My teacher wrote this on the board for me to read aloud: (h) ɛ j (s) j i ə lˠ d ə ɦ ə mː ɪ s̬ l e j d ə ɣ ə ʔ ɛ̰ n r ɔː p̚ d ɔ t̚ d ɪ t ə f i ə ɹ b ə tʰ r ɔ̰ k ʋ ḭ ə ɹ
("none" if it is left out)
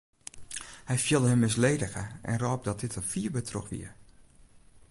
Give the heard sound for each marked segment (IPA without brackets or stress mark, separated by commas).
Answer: h, f